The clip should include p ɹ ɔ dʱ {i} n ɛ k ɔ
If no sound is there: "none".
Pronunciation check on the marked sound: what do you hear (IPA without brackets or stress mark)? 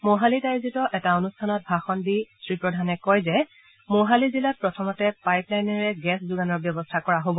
a